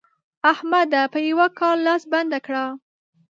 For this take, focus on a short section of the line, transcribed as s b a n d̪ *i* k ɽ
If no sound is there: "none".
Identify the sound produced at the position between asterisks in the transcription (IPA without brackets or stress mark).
a